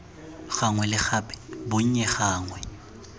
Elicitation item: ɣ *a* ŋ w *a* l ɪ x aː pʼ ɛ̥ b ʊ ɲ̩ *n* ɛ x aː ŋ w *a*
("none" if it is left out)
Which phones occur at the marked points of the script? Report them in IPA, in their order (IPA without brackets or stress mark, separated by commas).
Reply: a, ɛ, ɲ, ɛ